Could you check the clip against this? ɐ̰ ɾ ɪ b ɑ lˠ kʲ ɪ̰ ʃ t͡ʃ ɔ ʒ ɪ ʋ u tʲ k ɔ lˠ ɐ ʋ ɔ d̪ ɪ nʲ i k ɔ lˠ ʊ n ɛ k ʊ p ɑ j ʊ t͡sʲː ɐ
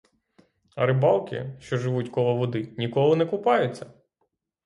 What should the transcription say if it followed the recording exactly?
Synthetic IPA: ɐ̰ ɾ ɪ b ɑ lˠ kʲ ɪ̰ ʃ t͡ʃ ɔ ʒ ɪ ʋ u tʲ k ɔ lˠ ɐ ʋ ɔ d̪ ɪ nʲ i k ɔ lˠ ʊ n ɛ k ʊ p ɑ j ʊ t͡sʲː ɐ